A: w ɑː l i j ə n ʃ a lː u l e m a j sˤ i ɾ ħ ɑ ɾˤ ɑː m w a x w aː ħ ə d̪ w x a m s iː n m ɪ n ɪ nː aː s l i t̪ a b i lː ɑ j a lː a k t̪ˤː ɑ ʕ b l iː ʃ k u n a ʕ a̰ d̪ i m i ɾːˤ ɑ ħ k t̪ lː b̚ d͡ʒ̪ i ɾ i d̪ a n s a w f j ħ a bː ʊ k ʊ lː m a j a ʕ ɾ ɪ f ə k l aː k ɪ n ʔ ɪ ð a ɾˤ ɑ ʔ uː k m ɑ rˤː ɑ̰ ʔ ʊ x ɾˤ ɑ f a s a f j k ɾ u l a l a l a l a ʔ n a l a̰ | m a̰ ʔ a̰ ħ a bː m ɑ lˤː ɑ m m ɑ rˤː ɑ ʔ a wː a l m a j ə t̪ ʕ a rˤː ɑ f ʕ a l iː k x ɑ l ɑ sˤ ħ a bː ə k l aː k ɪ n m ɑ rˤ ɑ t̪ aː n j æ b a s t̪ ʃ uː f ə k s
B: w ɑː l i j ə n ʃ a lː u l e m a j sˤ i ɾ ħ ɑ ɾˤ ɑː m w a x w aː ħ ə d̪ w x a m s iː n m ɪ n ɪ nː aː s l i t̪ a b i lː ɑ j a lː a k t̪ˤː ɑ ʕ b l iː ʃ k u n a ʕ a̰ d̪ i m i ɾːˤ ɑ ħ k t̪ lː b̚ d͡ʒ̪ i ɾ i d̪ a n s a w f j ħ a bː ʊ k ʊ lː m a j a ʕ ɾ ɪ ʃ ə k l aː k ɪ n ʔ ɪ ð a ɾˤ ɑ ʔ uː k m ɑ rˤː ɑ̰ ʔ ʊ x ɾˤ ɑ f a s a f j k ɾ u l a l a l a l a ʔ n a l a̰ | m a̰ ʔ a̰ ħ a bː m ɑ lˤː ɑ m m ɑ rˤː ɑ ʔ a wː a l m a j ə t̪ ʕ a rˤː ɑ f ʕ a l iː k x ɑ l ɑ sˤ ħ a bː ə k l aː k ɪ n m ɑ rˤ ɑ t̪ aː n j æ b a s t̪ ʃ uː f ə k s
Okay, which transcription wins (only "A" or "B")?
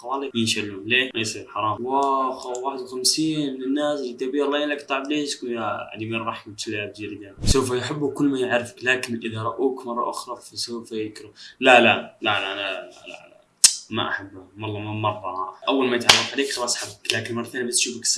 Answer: A